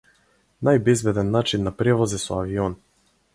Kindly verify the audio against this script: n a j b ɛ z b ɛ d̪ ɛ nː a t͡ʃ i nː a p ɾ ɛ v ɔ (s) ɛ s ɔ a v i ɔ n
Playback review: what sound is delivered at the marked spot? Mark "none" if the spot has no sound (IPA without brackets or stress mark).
z